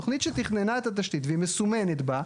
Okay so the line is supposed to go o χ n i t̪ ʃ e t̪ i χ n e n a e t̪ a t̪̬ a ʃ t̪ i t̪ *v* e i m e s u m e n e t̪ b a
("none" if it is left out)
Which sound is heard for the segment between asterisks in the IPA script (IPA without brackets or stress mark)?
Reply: v